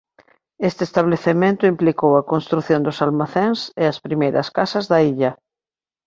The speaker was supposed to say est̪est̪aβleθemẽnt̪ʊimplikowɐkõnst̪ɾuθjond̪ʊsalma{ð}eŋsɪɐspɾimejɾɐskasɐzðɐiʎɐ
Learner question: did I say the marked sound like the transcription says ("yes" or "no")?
no